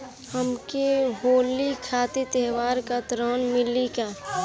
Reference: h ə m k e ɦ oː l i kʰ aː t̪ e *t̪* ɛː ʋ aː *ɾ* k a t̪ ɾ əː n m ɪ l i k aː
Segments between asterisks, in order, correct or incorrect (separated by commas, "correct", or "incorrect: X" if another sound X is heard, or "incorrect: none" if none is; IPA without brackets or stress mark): correct, correct